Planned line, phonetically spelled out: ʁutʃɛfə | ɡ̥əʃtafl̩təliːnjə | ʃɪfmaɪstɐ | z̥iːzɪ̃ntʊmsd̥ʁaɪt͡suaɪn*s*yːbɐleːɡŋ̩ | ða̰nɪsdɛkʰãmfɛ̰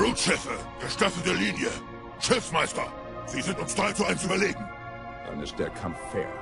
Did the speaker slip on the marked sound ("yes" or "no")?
no